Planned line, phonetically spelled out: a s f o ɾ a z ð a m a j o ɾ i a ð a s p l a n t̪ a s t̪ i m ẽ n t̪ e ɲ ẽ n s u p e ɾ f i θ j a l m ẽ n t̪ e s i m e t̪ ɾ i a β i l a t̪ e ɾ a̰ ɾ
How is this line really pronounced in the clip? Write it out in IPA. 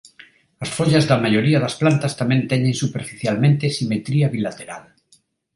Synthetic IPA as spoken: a s f o ʎ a z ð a m a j o ɾ i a ð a s p l a n t̪ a s t̪ a m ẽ n t̪ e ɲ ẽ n s u p e ɾ f i θ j a l m ẽ n t̪ e s i m e t̪ ɾ i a β i l a t̪ e ɾ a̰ l

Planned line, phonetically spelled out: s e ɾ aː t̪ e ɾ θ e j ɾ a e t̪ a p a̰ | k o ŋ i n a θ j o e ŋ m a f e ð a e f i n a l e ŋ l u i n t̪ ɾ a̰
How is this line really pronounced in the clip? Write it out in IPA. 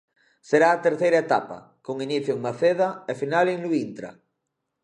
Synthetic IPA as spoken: s e ɾ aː t̪ e ɾ θ e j ɾ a e t̪ a p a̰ | k o ŋ i n i θ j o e ŋ m a θ e ð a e f i n a l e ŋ l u i n t̪ ɾ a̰

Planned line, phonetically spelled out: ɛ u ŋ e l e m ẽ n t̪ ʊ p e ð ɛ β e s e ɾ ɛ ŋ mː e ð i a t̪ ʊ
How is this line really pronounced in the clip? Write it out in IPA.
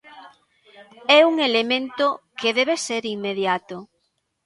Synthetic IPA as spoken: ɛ u ŋ e l e m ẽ n t̪ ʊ k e ð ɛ β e s e ɾ i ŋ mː e ð j a t̪ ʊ

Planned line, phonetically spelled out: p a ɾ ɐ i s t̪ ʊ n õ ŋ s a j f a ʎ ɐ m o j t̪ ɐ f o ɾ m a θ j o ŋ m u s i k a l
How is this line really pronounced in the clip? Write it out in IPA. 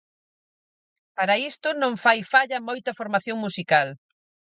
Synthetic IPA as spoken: p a ɾ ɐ i s t̪ ʊ n õ ŋ f a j f a ʎ ɐ m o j t̪ ɐ f o ɾ m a θ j o ŋ m u s i k a l

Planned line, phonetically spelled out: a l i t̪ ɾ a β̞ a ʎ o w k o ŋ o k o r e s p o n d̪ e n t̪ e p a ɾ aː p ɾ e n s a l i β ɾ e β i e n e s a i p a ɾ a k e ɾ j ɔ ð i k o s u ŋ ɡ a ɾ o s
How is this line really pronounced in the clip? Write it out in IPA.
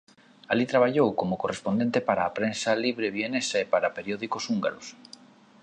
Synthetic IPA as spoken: a l i t̪ ɾ a β̞ a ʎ o w k o m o k o r e s p o n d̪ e n t̪ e p a ɾ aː p ɾ e n s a l i β ɾ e β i e n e s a e p a ɾ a p e ɾ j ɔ ð i k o s u ŋ ɡ a ɾ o s

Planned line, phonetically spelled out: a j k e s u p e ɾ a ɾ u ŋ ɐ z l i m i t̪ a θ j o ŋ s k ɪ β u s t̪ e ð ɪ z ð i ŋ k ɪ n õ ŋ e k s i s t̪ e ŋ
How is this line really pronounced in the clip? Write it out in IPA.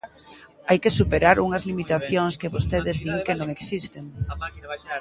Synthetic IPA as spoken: a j k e s u p e ɾ a ɾ u ŋ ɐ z l i m i t̪ a θ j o ŋ s k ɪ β o s t̪ e ð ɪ z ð i ŋ k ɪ n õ ŋ e k s i s t̪ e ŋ

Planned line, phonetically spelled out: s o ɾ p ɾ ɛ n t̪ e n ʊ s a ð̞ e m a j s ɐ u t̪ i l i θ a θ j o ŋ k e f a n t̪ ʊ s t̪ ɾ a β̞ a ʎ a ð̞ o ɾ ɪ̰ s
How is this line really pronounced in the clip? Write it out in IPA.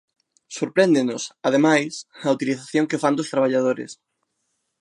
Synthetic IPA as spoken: s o ɾ p ɾ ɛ n d̪ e n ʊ s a ð̞ e m a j s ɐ u t̪ i l i θ a θ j o ŋ k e f a n d̪ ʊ s t̪ ɾ a β̞ a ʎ a ð̞ o ɾ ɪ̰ s

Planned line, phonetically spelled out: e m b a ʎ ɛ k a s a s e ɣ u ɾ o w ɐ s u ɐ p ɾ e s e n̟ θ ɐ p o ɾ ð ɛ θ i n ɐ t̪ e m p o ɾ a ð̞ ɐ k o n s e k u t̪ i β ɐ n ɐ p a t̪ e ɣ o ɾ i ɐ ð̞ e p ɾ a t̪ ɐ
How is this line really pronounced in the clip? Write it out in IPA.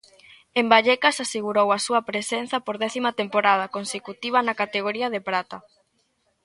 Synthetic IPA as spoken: e m b a ʎ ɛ k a s a s e ɣ u ɾ o w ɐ s u ɐ p ɾ e s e n̟ θ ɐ p o ɾ ð ɛ θ i m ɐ t̪ e m p o ɾ a ð̞ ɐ k o n s e k u t̪ i β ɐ n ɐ k a t̪ e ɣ o ɾ i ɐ ð̞ e p ɾ a t̪ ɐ

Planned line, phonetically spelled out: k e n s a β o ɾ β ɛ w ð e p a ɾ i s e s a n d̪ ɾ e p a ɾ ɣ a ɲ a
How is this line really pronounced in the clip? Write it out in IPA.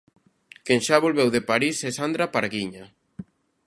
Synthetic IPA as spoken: k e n ʃ a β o l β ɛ w ð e p a ɾ i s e s a n d̪ ɾ a p a ɾ ɣ i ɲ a

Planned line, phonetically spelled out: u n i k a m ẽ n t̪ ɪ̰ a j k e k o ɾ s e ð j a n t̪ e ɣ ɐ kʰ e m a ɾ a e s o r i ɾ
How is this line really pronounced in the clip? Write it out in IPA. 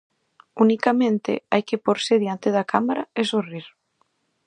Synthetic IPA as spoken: u n i k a m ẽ n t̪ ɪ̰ a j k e p o ɾ s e ð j a n t̪ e ð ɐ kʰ a m a ɾ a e s o r i ɾ

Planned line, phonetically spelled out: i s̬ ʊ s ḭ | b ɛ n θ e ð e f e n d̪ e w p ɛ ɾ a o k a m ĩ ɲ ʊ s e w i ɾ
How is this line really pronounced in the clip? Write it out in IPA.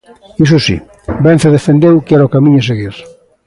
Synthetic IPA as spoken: i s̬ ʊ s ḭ | b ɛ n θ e ð e f e n d̪ e w k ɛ ɾ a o k a m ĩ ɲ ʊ s e ɣ i ɾ

